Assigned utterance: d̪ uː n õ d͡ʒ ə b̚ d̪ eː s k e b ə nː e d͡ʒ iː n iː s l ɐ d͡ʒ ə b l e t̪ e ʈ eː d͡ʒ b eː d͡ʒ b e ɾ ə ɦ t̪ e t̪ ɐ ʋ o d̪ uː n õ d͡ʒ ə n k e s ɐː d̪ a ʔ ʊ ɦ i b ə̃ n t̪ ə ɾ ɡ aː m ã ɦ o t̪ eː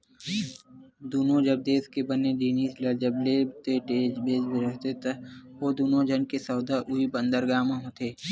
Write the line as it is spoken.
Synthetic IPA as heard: d̪ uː n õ d͡ʒ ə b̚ d̪ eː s k e b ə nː e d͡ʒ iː n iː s l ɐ d͡ʒ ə b l e t̪ e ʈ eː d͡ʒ b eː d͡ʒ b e ɾ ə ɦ t̪ e t̪ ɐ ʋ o d̪ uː n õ d͡ʒ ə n k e s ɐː d̪ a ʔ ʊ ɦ i b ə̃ n d̪ ə ɾ ɡ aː m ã ɦ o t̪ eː